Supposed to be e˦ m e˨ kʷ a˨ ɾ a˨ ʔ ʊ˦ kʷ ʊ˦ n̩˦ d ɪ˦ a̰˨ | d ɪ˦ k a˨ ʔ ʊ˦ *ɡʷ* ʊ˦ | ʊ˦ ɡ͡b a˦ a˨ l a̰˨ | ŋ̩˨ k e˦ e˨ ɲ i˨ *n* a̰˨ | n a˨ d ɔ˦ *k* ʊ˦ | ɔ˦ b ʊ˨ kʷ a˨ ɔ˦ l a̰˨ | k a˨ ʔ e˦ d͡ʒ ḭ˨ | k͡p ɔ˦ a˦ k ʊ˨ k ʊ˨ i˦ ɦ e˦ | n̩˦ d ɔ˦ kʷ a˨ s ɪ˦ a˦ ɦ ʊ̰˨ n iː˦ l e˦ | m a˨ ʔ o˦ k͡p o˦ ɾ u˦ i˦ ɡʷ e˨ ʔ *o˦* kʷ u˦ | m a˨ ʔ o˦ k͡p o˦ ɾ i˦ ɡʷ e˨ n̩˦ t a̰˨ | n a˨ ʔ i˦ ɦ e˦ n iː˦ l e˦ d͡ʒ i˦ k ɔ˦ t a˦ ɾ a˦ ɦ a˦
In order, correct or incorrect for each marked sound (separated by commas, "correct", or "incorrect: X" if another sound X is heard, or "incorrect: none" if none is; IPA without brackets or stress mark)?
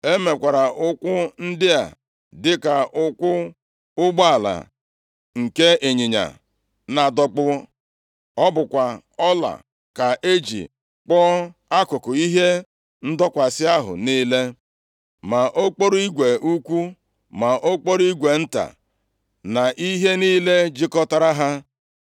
incorrect: kʷ, incorrect: ɲ, incorrect: k͡p, incorrect: u˦